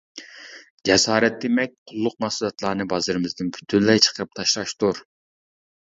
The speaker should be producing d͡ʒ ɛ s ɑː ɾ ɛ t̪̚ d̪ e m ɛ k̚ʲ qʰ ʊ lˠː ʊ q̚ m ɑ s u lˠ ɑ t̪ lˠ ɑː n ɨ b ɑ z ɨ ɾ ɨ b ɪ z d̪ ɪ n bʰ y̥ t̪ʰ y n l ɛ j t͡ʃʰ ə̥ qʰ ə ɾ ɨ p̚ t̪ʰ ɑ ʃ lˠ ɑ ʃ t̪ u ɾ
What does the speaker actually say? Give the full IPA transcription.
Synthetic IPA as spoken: d͡ʒ ɛ s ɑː ɾ ɛ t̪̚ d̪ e m ɛ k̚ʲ qʰ ʊ lˠː ʊ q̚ m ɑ s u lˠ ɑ t̪ lˠ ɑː n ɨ b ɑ z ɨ ɾ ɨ m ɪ z d̪ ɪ n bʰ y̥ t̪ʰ y n l ɛ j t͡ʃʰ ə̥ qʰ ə ɾ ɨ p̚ t̪ʰ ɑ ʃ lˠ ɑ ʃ t̪ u ɾ